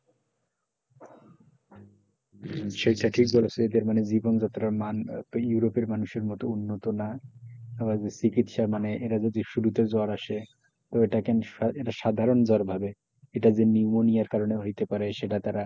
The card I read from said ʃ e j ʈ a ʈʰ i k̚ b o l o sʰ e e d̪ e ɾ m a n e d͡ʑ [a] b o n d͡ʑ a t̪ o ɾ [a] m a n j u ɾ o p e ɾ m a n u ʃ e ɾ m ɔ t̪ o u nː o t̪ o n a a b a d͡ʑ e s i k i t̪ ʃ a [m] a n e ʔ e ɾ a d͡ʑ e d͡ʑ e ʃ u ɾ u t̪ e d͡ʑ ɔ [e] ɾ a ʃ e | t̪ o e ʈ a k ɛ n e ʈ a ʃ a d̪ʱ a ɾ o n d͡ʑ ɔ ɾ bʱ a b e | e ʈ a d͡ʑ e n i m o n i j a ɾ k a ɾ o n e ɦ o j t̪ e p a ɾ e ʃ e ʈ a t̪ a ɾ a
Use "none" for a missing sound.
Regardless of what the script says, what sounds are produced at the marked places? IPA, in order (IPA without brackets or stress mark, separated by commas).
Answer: i, a, m, a